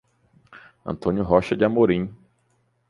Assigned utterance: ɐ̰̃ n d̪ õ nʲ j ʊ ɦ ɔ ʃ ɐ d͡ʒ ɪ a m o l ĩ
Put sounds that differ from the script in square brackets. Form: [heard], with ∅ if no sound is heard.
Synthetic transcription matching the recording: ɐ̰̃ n [t̪] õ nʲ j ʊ ɦ ɔ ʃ ɐ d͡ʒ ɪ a m o [ɾ] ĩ